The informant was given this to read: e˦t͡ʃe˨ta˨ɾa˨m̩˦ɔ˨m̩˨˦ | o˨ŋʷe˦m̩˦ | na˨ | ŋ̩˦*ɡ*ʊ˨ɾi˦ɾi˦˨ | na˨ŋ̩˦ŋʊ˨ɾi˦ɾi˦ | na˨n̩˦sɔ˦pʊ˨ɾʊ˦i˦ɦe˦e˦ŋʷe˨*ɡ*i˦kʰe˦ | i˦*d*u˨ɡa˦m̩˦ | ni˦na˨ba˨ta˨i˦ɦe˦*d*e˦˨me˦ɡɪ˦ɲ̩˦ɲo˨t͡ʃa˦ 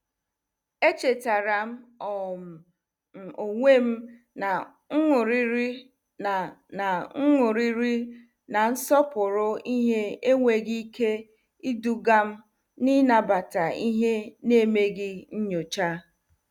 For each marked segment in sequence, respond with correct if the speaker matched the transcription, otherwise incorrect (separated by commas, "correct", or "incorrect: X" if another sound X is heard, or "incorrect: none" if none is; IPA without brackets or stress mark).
incorrect: ŋ, correct, correct, incorrect: n